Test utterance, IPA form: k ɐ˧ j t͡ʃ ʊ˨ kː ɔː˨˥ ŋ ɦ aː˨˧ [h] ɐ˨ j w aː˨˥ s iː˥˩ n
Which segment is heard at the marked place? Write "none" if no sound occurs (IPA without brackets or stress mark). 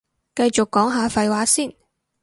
f